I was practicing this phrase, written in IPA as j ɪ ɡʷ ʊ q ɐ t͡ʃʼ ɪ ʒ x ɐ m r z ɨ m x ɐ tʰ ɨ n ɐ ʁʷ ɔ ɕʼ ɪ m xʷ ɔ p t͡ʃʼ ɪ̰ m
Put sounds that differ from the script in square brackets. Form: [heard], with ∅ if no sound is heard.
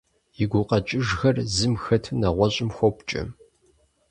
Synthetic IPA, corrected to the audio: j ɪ ɡʷ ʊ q ɐ t͡ʃʼ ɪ ʒ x ɐ [∅] r z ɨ m x ɐ tʰ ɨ n ɐ ʁʷ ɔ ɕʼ ɪ m xʷ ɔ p t͡ʃʼ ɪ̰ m